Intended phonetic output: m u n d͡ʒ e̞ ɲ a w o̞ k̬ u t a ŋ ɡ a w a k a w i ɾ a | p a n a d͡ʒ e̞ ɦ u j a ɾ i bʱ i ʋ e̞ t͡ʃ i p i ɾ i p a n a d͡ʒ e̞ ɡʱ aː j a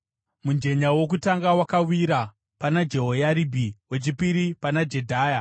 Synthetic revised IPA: m u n d͡ʒ e̞ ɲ a w o̞ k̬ u t a ŋ ɡ a w a k a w i ɾ a | p a n a d͡ʒ e̞ ɦ o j a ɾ i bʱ i w e̞ t͡ʃ i p i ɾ i p a n a d͡ʒ e̞ dʱ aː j a